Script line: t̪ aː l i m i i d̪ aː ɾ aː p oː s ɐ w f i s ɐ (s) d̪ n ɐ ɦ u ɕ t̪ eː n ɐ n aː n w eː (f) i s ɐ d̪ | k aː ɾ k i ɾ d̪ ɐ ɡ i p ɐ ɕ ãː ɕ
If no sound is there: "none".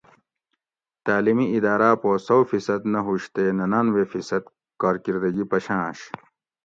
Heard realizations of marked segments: none, f

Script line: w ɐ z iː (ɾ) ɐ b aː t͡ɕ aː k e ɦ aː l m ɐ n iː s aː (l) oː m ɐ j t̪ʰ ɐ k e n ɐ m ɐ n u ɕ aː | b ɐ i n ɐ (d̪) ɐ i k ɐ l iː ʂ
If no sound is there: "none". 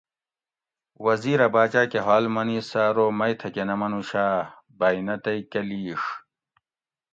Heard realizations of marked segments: ɾ, ɾ, t̪

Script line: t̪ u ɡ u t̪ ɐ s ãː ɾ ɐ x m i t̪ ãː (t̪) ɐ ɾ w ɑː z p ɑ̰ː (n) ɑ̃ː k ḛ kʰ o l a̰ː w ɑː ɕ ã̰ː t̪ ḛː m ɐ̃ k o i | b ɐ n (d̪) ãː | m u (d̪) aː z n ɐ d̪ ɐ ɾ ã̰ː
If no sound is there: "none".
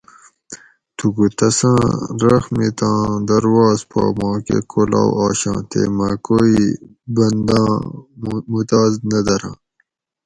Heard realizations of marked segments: d̪, m, d̪, t̪

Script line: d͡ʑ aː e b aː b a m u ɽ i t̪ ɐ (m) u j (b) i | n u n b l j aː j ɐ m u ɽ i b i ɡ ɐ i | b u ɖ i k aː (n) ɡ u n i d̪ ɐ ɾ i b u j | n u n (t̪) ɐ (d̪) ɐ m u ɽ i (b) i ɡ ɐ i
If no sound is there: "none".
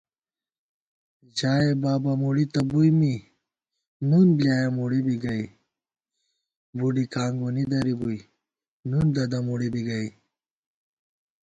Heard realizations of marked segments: b, m, ŋ, d̪, d̪, b

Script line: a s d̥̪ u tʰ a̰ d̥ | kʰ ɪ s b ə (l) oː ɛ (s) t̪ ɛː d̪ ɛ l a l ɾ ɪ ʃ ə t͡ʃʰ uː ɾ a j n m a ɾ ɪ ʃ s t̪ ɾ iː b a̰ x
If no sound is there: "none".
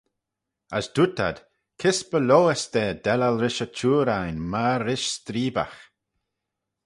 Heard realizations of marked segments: l, s

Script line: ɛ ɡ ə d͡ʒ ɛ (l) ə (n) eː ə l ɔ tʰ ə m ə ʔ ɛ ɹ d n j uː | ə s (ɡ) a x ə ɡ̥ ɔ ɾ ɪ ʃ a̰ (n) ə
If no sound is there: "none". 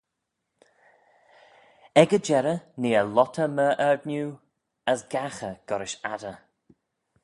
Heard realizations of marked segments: ɾ, n, ɡ, d

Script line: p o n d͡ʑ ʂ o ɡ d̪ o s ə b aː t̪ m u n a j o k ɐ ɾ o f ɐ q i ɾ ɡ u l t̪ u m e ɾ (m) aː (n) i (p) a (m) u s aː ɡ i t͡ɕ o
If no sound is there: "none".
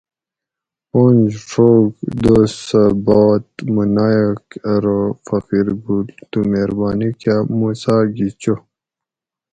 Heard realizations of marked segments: b, n, k, m

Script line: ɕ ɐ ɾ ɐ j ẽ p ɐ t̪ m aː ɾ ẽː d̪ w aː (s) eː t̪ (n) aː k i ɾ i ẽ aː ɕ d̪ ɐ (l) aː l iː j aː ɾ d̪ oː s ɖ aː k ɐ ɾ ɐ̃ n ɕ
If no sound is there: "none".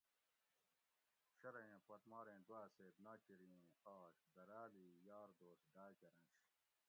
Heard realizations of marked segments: s, n, ɾ

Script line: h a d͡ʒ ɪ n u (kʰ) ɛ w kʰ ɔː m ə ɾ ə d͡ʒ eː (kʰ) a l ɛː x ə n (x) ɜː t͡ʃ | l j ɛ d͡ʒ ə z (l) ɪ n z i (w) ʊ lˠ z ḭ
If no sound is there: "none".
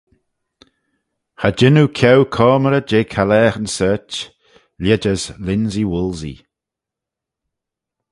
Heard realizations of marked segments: kʰ, kʰ, s, l, w

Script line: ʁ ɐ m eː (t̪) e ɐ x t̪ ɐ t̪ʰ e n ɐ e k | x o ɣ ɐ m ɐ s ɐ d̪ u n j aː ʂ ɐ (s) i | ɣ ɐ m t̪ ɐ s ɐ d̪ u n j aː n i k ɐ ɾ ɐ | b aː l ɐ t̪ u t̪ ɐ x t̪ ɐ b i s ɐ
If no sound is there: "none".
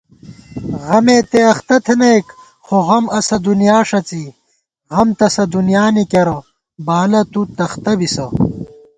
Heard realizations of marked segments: t̪, t͡s

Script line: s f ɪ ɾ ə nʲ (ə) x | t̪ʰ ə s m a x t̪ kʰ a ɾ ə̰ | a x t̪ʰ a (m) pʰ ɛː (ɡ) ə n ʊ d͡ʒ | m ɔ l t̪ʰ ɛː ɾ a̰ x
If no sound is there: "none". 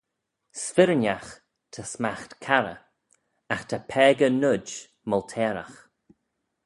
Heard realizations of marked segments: a, none, ɡ

